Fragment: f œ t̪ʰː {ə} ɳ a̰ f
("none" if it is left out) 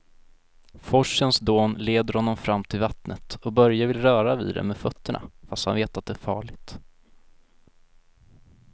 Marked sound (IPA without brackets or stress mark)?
ə